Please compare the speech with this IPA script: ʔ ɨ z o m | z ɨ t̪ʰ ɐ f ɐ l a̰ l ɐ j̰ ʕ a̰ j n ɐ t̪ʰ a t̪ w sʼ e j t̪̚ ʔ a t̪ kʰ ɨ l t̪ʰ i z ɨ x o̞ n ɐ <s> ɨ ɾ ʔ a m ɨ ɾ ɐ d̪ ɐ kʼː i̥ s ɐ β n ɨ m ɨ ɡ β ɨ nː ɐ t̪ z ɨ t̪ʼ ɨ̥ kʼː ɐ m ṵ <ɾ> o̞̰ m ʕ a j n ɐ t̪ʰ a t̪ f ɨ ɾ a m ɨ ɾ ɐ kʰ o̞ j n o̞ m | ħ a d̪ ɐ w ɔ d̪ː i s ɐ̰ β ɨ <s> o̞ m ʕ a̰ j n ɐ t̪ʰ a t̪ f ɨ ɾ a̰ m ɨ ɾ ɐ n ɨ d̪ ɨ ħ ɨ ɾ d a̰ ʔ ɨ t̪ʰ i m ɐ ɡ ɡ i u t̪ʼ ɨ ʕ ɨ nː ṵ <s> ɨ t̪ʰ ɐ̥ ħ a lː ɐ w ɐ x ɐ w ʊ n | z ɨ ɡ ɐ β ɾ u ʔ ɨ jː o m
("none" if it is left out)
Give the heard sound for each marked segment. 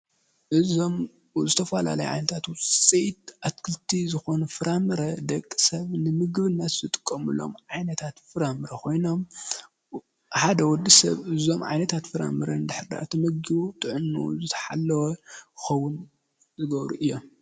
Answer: f, l, z, z

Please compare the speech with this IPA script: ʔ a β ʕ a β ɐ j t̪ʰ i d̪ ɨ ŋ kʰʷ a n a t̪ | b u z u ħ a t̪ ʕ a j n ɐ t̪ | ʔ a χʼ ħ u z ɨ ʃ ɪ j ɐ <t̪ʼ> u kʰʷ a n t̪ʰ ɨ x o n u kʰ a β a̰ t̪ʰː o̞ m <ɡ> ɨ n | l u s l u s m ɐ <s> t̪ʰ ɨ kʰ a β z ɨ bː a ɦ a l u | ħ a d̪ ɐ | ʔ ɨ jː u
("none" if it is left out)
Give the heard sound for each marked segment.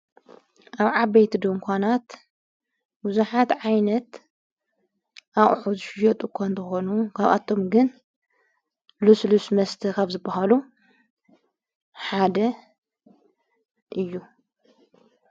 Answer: t̪ʼ, ɡ, s

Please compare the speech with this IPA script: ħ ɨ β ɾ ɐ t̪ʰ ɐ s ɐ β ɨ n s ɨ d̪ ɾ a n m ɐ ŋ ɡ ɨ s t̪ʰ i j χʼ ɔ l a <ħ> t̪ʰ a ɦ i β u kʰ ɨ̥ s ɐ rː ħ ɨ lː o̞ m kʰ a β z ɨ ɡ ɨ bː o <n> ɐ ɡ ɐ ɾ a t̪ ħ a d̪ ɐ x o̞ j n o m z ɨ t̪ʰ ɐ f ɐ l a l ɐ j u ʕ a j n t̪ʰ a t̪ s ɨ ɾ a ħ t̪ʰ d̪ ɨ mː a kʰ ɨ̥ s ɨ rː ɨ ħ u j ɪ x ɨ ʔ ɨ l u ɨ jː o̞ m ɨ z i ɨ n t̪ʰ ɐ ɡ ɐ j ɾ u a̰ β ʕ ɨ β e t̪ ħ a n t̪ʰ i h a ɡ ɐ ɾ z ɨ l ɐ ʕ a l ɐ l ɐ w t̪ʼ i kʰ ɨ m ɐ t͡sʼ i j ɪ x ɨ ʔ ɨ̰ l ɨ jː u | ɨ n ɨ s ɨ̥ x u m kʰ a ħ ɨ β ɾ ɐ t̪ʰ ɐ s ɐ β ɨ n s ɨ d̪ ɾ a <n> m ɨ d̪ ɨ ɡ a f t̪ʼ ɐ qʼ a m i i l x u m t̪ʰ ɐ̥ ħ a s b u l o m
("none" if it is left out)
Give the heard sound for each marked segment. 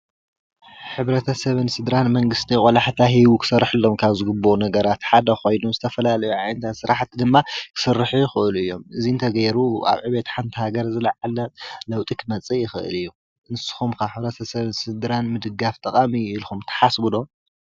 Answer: ħ, n, n

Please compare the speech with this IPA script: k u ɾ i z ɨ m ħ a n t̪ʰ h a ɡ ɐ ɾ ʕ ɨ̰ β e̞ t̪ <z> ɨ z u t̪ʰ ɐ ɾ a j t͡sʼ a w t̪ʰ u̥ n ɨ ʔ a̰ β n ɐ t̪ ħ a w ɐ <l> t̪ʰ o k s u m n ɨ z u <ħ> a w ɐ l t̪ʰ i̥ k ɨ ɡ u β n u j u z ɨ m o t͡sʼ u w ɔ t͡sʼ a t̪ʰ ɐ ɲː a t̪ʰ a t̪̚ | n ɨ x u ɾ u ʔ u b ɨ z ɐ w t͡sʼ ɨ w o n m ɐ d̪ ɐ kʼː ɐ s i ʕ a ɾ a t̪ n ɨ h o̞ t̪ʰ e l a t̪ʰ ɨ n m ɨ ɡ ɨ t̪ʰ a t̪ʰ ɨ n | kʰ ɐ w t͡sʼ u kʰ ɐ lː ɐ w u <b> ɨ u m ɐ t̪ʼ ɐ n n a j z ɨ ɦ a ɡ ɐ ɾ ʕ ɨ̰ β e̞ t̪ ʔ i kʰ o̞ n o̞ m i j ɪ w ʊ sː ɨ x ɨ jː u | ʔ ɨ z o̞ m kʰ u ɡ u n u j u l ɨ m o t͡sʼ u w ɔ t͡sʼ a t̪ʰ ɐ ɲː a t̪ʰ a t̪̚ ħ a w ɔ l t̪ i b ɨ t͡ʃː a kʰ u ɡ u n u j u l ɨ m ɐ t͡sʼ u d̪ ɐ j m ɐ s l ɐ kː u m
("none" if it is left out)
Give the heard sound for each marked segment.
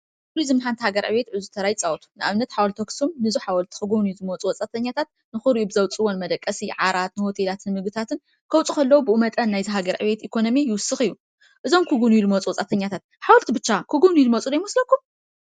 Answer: ʕ, l, ħ, b

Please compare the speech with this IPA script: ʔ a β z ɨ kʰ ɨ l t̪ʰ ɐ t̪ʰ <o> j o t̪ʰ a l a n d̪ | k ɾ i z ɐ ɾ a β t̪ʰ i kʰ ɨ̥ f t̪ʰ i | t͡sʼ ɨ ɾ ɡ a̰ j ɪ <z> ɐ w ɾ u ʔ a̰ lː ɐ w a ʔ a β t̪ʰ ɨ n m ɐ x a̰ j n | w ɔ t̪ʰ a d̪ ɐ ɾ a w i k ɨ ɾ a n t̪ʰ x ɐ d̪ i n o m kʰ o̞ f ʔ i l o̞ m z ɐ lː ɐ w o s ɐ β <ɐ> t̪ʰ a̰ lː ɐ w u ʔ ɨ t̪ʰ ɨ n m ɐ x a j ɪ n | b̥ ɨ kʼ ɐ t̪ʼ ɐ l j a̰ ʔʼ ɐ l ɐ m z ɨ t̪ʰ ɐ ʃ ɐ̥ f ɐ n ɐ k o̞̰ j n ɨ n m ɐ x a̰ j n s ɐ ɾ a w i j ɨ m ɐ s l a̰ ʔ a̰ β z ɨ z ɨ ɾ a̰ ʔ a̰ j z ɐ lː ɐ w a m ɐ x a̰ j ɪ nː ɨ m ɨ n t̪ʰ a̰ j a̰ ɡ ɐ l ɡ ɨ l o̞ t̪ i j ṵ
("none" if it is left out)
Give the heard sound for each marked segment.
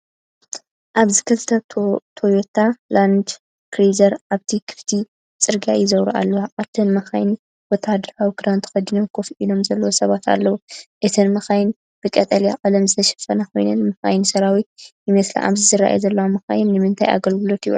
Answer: o, z, a

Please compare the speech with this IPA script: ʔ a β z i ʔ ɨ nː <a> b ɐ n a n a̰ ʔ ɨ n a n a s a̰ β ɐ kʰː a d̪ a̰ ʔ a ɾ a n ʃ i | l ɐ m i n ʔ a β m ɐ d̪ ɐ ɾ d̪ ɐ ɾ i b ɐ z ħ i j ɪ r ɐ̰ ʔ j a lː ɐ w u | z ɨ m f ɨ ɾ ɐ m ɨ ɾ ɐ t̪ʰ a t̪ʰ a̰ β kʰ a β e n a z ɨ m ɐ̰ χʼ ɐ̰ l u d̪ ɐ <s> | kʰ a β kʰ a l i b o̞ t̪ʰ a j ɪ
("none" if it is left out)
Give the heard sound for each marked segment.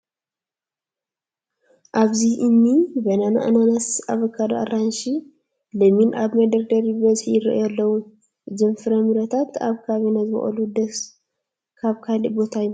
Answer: i, s

